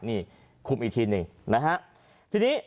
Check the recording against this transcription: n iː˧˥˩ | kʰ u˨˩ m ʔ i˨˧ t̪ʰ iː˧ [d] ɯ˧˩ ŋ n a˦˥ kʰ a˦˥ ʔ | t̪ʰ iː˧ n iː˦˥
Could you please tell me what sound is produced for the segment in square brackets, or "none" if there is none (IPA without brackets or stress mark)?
n